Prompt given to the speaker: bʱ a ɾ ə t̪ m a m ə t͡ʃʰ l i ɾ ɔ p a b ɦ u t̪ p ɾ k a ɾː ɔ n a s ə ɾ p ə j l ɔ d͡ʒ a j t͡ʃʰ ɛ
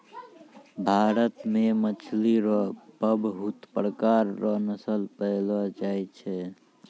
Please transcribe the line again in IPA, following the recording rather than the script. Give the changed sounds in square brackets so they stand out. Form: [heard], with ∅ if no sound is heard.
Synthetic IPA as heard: bʱ a ɾ ə t̪ m [e] m ə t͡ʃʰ l i ɾ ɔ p [ə] b ɦ u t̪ p ɾ k a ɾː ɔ n [ə] s ə [l] p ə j l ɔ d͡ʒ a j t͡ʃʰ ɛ